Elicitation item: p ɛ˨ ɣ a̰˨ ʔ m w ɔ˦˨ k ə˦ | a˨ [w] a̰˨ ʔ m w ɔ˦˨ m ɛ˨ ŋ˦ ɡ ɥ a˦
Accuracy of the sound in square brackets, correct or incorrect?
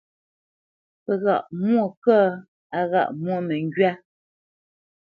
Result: incorrect